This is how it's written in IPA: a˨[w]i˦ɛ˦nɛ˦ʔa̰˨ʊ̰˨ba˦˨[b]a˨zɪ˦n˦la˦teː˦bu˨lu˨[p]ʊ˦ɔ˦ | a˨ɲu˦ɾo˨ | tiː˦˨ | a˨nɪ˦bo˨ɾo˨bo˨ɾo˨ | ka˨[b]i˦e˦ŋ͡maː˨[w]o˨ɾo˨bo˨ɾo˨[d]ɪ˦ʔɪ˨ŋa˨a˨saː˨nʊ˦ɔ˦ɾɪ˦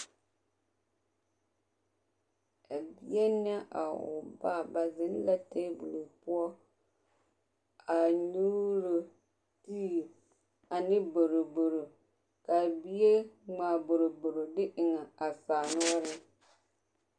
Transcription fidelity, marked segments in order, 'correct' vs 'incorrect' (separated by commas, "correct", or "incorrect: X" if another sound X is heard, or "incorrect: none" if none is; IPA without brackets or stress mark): incorrect: b, correct, correct, correct, incorrect: b, correct